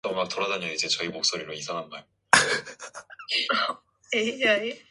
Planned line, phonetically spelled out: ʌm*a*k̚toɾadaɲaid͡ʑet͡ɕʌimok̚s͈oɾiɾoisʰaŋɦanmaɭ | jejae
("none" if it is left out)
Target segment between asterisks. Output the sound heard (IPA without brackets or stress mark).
a